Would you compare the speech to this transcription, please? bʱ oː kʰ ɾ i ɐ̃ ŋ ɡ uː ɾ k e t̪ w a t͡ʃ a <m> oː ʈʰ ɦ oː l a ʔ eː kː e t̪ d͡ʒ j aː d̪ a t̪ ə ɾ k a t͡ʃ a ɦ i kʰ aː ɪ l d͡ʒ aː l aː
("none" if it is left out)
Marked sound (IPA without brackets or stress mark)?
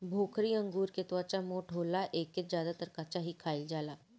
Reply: m